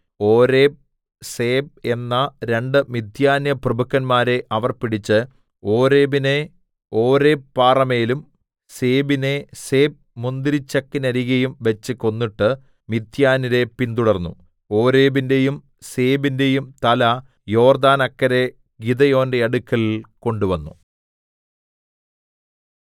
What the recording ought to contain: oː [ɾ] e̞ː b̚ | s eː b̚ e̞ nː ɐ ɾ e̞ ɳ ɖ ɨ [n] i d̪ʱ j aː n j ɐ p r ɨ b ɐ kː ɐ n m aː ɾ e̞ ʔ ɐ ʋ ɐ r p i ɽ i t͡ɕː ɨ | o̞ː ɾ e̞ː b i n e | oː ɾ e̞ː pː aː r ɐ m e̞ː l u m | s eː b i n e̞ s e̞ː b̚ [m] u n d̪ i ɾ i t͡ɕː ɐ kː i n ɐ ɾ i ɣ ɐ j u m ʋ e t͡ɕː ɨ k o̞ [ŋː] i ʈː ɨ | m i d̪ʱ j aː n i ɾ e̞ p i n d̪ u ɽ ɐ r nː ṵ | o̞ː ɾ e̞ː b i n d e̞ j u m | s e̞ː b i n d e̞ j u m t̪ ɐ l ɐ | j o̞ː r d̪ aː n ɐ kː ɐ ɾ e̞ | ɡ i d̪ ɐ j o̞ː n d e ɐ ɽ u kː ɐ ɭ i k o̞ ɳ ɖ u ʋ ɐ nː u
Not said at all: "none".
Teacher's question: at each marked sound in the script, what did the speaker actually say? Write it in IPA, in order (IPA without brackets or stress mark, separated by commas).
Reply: ɾ, m, m, nː